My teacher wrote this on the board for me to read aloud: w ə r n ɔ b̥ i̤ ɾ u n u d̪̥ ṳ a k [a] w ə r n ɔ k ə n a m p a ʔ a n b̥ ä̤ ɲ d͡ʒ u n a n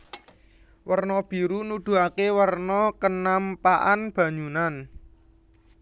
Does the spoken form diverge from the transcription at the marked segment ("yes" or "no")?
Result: yes